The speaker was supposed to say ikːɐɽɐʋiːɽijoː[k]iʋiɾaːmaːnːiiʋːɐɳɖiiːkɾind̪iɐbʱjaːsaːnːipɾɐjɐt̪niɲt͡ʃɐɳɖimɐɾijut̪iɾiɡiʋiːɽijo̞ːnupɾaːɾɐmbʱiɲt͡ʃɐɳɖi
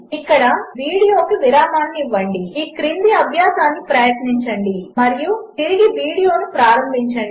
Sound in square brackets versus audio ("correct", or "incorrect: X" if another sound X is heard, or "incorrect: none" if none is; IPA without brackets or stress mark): correct